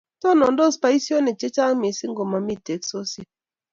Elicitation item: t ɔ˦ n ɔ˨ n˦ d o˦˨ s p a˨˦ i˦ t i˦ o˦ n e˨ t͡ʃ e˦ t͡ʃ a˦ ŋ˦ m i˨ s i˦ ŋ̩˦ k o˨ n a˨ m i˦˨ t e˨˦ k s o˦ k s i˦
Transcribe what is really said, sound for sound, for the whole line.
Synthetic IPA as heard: t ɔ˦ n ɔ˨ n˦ d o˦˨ s p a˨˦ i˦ s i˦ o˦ n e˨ t͡ʃ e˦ t͡ʃ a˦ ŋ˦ m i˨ s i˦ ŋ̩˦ ɡ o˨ m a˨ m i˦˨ t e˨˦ k s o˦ s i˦